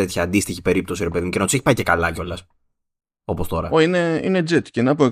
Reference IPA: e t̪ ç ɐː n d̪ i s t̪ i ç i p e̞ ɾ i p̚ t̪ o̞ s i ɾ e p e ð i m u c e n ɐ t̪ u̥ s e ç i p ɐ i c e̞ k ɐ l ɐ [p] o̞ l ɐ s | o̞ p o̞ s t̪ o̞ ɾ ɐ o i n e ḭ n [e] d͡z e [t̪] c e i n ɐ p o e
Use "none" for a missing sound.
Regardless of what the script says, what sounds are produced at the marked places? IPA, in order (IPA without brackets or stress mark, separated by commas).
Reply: c, e, t̪